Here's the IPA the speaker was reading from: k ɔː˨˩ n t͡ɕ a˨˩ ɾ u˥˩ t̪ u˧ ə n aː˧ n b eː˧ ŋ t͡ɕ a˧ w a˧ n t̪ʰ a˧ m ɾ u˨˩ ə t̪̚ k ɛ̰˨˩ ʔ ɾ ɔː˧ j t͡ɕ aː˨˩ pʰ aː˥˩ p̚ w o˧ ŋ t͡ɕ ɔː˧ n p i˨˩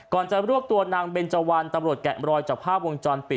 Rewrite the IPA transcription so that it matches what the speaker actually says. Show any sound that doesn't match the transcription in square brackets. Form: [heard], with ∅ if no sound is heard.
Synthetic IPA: k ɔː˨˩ n t͡ɕ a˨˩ ɾ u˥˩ t̪ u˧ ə n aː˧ [ŋ] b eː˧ [n] t͡ɕ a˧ w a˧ n [t̪] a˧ m ɾ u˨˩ ə t̪̚ k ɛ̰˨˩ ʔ ɾ ɔː˧ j t͡ɕ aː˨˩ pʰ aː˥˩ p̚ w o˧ ŋ t͡ɕ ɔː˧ n p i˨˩